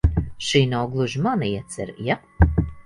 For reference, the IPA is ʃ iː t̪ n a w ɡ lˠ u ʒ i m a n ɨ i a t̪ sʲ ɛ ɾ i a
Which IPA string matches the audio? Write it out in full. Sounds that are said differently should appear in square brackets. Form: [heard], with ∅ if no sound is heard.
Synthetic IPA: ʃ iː [∅] n a w ɡ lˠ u ʒ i m a n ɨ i [ɛ] t̪ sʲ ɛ ɾ [j] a